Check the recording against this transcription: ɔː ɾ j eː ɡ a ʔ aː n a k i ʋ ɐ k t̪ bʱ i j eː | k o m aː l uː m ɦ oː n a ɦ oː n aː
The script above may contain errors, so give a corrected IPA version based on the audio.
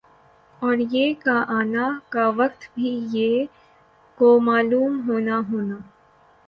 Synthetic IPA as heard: ɔː ɾ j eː k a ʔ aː n a k a ʋ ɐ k t̪ bʱ i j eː | k o m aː l uː m ɦ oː n a ɦ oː n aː